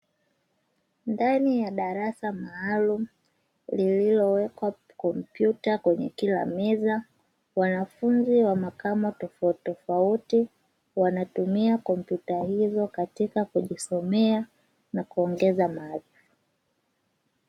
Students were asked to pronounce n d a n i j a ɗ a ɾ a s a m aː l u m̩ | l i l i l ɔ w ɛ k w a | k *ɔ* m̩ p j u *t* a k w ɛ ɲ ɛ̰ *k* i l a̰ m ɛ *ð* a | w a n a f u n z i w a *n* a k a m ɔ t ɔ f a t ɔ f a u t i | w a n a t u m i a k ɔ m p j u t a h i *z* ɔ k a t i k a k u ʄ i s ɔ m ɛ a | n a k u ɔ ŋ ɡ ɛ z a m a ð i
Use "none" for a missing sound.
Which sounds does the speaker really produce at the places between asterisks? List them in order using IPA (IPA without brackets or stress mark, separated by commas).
ɔ, t, k, z, m, z